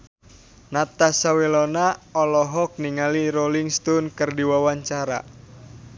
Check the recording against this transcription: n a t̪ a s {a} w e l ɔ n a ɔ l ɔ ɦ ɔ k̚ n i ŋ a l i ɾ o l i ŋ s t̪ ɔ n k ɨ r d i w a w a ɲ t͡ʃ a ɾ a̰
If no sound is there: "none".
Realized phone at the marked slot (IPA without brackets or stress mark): a